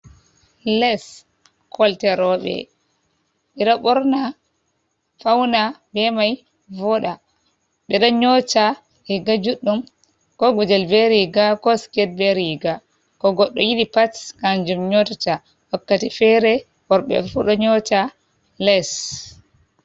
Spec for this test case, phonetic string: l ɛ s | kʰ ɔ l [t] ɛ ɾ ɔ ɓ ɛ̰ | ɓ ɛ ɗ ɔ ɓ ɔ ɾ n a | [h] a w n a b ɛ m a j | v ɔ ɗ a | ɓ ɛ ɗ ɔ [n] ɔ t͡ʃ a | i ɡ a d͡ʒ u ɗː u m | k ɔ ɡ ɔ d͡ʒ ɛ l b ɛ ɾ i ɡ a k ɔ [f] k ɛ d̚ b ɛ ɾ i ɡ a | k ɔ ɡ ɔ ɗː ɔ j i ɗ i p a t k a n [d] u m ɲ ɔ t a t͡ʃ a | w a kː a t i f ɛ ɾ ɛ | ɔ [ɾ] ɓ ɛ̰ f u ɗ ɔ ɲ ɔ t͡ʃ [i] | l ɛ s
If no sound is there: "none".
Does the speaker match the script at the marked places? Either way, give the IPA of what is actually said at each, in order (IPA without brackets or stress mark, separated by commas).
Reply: t, f, ɲ, s, d͡ʒ, ɾ, a